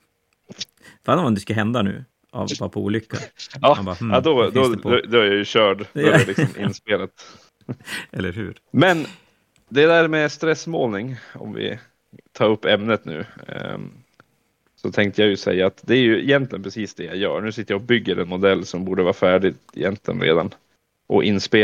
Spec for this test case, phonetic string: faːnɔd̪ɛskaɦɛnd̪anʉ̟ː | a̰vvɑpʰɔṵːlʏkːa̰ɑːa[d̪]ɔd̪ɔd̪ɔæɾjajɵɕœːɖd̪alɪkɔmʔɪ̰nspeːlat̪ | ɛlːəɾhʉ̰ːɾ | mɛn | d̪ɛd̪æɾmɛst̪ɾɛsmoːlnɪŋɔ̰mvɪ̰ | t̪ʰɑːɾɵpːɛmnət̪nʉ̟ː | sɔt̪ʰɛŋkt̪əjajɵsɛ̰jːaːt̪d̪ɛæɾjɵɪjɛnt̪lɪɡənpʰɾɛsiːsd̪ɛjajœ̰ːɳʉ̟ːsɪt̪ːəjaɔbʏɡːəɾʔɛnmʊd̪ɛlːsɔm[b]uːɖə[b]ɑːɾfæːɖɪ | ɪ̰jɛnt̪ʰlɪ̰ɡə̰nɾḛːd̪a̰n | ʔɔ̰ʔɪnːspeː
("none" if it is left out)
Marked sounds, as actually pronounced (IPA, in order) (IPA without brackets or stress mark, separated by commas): d̪, b, v